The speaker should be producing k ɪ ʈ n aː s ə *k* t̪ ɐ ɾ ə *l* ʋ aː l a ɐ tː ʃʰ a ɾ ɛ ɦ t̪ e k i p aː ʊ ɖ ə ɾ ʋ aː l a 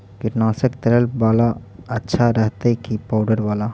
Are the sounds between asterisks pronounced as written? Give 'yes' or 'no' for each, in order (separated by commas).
yes, yes